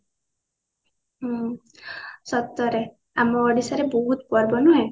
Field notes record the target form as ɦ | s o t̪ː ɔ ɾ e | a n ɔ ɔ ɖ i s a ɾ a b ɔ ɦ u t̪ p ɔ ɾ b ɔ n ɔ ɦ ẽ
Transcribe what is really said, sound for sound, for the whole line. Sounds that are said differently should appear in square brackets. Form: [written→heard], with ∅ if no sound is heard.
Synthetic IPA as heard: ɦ | s [o→ɔ] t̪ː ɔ ɾ e | a [n→m] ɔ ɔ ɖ i s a ɾ [a→e] b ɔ ɦ u t̪ p ɔ ɾ b ɔ n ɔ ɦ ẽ